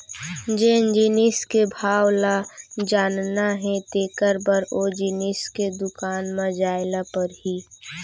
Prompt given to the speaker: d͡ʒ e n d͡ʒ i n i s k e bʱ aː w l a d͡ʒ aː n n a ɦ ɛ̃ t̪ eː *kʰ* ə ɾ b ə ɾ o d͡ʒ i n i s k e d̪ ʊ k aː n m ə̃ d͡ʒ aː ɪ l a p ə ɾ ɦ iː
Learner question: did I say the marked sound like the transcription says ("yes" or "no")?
no